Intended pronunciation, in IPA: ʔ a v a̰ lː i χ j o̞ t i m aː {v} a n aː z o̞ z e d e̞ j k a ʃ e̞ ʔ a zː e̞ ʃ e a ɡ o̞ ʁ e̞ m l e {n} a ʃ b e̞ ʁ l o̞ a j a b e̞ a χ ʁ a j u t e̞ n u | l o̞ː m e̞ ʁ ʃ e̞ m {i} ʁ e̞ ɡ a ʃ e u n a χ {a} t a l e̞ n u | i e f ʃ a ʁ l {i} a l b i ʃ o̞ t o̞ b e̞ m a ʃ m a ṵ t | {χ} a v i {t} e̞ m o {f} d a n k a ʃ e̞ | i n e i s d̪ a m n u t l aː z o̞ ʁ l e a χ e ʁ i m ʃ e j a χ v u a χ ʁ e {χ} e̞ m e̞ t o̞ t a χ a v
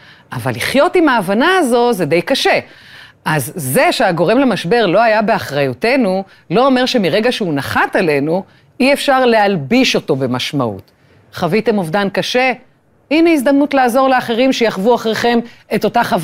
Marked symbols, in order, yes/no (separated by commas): yes, no, yes, yes, no, yes, yes, no, yes